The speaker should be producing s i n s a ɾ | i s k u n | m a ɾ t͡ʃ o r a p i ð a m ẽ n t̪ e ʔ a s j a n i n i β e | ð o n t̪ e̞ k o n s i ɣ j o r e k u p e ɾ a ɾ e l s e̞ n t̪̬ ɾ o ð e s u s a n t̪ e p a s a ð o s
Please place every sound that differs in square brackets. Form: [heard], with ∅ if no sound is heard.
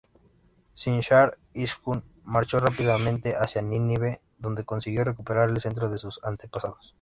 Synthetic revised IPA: s i n [ʃ] a ɾ | i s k u n | m a ɾ t͡ʃ o r a p i ð a m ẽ n t̪ e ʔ a s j a n i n i β e | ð o n [d̪] e̞ k o n s i ɣ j o r e k u p e ɾ a ɾ e l s e̞ n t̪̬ ɾ o ð e s u s a n t̪ e p a s a ð o s